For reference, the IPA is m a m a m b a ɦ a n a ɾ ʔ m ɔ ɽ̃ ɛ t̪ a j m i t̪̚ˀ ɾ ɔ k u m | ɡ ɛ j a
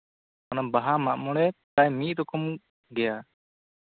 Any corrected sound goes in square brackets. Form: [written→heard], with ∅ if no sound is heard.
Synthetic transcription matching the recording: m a [m→n] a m b a ɦ a [n→m] a [ɾ→∅] ʔ m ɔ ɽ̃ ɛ t̪ a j m i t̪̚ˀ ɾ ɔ k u m | ɡ ɛ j a